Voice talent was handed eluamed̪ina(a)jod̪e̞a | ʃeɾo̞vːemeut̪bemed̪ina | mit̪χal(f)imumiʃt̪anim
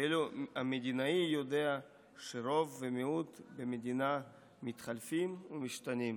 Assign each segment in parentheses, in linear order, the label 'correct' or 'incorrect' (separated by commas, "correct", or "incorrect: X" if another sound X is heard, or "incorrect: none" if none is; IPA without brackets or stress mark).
incorrect: i, correct